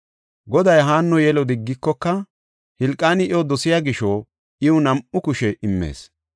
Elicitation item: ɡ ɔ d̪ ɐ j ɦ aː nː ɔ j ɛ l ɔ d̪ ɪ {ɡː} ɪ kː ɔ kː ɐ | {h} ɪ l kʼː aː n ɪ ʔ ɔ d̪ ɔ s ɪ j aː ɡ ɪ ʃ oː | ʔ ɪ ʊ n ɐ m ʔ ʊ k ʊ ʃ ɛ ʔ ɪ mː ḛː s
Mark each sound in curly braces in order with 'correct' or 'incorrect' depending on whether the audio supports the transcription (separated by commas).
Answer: correct, correct